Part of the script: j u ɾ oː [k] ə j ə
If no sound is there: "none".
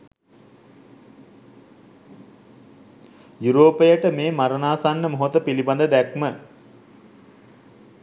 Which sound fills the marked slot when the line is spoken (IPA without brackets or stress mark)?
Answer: p